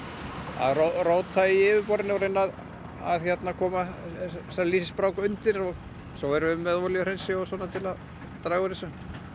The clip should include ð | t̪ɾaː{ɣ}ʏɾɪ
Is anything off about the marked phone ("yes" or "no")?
no